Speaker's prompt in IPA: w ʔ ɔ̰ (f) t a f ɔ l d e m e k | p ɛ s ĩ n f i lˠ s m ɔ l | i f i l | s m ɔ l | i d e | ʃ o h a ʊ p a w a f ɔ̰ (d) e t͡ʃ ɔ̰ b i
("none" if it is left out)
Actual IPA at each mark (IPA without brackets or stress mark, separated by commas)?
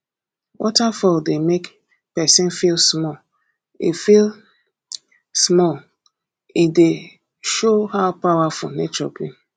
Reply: none, n